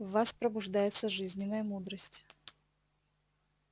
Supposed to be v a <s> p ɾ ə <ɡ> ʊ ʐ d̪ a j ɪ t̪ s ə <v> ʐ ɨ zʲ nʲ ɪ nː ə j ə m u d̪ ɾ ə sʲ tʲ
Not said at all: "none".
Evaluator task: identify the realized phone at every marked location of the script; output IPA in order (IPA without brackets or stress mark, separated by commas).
s, b, none